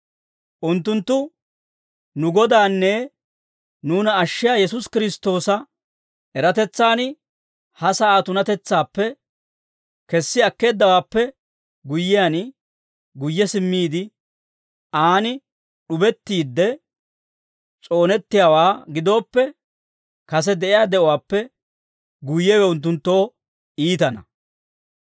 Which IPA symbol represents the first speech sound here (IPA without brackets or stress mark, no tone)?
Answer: ʔ